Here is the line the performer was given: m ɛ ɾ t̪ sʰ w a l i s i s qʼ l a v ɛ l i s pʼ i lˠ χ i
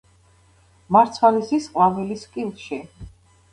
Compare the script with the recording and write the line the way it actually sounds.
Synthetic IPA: m a ɾ t̪ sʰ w a l i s i s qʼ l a v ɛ l i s kʼ i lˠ ʃ i